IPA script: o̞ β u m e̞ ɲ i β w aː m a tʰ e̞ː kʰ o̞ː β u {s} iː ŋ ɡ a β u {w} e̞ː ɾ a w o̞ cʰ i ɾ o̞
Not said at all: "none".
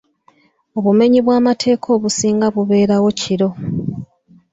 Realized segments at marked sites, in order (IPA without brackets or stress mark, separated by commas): s, β